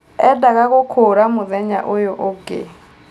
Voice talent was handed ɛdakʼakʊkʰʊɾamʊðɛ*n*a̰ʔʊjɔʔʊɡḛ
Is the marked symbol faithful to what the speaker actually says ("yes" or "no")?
no